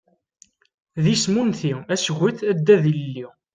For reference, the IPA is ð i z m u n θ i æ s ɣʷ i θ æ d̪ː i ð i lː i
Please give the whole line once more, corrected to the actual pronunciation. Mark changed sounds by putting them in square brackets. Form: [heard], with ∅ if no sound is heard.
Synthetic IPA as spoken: ð i [s] m u n θ i æ s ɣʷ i θ æ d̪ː [æ] ð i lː i

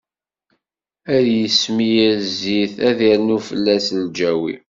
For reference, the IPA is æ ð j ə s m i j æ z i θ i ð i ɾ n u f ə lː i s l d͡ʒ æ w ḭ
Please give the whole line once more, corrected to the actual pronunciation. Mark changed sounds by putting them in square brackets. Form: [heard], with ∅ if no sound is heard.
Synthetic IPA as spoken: æ ð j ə s m i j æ z i θ [æ] ð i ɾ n u f ə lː [æ] s l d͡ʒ æ w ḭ

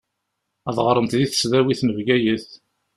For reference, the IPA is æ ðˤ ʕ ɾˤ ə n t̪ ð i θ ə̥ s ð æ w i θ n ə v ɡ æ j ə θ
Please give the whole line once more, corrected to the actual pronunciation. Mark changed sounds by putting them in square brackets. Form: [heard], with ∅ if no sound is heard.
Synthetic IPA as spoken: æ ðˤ [ʁ] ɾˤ ə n t̪ ð i θ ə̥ s ð æ w i θ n ə v ɡ æ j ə θ

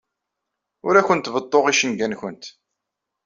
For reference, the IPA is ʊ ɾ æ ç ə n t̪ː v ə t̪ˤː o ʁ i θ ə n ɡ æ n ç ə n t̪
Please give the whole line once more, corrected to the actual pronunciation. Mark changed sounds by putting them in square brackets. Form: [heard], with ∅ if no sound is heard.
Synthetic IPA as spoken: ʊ ɾ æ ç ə n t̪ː v ə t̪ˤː o ʁ i [ʃ] ə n ɡ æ n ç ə n t̪

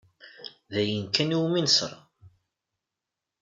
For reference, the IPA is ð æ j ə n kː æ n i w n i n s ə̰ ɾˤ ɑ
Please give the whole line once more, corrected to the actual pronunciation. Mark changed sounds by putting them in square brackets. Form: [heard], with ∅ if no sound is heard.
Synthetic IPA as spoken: ð æ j ə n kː æ n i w [m] i n s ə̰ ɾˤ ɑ

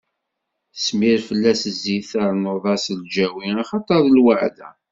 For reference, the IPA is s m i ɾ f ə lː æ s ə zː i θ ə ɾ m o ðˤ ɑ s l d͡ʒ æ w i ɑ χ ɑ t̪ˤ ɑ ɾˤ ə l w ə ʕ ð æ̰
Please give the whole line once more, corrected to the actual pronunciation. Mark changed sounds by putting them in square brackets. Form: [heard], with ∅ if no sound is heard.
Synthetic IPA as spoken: s m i ɾ f ə lː æ s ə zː i θ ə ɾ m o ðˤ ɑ s l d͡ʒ æ w i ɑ χ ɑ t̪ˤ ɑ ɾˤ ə l w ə ʕ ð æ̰

